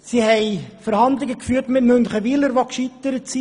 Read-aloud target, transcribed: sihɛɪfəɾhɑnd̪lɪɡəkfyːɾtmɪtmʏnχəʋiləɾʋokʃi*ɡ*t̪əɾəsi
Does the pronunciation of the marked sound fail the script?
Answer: yes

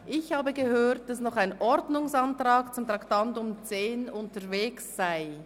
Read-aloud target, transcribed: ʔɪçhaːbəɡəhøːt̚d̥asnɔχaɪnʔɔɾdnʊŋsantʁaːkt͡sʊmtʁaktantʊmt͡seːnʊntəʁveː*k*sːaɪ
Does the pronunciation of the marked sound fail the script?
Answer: no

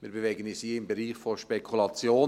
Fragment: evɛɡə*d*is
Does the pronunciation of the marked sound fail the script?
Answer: yes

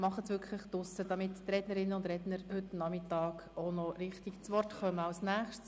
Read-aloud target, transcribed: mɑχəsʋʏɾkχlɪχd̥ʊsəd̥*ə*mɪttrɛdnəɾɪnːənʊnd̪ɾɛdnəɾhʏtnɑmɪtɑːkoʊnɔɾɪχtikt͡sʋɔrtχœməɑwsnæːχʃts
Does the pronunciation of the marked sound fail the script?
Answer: yes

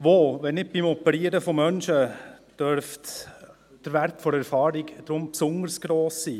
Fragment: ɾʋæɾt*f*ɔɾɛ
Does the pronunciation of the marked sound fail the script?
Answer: no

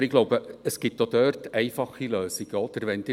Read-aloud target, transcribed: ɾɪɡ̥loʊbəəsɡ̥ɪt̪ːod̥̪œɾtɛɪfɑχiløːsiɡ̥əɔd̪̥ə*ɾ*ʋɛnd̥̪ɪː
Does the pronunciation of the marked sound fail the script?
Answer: no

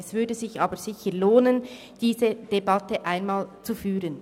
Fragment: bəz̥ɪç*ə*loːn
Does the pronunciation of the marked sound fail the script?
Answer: no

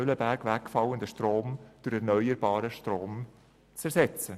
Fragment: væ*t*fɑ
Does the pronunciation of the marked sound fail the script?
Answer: yes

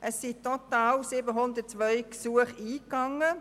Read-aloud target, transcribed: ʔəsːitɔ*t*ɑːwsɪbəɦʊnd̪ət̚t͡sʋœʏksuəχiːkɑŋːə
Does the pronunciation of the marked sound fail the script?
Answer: no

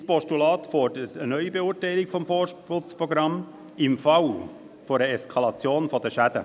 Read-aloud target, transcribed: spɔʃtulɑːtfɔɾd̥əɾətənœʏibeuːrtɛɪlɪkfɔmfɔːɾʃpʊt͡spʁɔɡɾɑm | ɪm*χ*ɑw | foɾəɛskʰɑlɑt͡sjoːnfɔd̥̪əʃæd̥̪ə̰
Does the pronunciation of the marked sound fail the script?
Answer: yes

